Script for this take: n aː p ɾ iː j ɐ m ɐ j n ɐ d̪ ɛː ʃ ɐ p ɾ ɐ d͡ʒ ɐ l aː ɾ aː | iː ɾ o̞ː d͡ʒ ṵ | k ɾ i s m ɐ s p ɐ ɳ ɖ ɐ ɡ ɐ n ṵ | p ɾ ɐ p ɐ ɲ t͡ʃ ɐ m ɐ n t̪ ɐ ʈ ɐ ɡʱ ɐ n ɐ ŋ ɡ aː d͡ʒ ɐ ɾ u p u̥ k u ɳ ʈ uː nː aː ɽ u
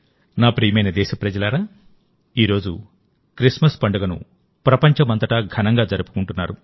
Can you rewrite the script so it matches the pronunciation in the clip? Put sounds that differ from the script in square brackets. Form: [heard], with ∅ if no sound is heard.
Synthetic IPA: n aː p ɾ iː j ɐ m ɐ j n ɐ d̪ ɛː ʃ ɐ p ɾ ɐ d͡ʒ ɐ l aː ɾ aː | iː ɾ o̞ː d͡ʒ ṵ | k ɾ i s m ɐ s p ɐ ɳ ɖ ɐ ɡ ɐ n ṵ | p ɾ ɐ p ɐ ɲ t͡ʃ ɐ m ɐ n t̪ ɐ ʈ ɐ ɡʱ ɐ n ɐ ŋ ɡ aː d͡ʒ ɐ ɾ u p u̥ k u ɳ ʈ [u] nː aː [ɾ] u